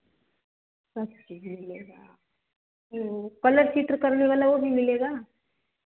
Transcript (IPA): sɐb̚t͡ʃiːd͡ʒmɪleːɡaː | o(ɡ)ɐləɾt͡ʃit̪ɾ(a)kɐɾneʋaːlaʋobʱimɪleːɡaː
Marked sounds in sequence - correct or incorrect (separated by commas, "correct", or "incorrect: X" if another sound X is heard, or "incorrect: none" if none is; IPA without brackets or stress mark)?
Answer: incorrect: k, incorrect: ə